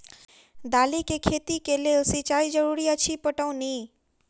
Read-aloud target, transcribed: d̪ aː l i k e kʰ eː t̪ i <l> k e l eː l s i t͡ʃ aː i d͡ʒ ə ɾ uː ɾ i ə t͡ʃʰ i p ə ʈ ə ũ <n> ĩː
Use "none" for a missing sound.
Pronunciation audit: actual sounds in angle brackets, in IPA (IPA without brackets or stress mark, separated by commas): none, n